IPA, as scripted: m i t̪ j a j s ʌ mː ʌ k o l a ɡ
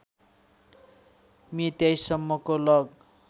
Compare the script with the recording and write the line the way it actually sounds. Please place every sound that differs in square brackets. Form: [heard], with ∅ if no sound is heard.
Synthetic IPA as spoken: m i t̪ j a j s ʌ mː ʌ k o l [ʌ] ɡ